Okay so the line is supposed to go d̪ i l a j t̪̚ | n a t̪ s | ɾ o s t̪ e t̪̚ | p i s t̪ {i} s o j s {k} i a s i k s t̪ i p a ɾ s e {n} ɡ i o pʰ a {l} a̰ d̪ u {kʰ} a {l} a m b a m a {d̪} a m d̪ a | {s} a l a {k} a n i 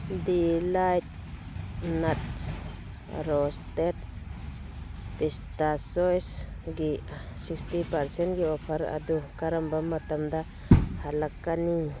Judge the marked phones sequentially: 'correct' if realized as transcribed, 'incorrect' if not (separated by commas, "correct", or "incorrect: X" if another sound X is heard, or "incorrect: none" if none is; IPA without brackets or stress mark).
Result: incorrect: a, incorrect: ɡ, correct, incorrect: ɾ, incorrect: k, incorrect: ɾ, incorrect: t̪, incorrect: h, correct